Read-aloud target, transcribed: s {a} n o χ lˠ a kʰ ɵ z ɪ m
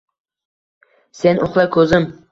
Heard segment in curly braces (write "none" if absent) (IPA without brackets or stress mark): e